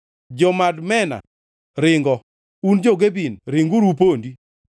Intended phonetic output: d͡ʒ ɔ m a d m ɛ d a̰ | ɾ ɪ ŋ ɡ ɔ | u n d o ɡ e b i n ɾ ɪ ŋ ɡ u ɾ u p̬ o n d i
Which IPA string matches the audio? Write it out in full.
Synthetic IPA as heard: d͡ʒ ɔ m a d m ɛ n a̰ | ɾ ɪ ŋ ɡ ɔ | u n d͡ʒ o ɡ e b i n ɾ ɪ ŋ ɡ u ɾ u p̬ o n d i